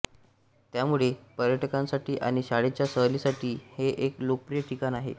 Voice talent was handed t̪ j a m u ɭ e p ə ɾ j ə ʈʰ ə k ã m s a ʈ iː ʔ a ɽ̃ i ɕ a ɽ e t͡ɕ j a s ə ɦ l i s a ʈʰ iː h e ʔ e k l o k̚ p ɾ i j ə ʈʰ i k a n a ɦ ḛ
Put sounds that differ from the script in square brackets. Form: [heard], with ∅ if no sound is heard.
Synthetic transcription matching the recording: t̪ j a m u ɭ e p ə ɾ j ə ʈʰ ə k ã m s a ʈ iː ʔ a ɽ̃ i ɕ a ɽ e t͡ɕ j a s ə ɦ l i s a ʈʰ iː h e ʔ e k l o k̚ p ɾ i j ə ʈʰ i k a n a ɦ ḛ